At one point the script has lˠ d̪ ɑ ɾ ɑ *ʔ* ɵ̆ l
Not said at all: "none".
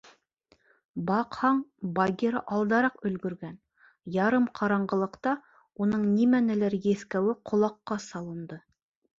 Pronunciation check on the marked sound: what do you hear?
q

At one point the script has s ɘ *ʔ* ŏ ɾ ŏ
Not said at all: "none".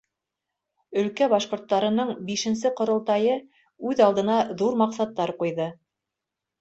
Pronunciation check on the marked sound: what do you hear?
q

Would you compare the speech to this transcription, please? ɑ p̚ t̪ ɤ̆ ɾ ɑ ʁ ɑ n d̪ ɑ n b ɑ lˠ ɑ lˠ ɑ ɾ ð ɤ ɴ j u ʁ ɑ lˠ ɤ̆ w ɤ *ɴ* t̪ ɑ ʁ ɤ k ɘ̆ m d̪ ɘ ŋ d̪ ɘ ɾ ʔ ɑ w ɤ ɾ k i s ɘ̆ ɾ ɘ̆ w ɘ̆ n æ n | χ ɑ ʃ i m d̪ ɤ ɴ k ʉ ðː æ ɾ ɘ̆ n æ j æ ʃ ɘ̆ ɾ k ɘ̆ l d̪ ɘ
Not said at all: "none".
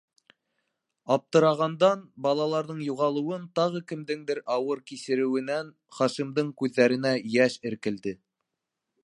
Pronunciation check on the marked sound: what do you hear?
n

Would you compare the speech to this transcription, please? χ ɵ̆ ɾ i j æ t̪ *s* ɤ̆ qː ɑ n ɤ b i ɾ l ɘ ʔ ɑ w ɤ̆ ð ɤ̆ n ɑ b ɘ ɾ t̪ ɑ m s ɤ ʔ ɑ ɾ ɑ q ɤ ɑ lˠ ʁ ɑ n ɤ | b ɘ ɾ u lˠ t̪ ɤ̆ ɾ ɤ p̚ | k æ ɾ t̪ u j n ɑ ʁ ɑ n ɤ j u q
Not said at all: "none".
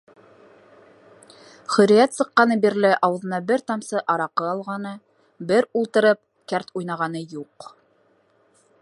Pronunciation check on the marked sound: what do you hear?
s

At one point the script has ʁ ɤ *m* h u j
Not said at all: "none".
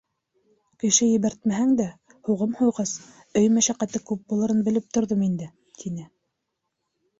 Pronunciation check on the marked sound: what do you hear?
m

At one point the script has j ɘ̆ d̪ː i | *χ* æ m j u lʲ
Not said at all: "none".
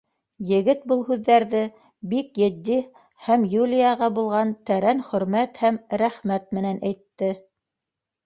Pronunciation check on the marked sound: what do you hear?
h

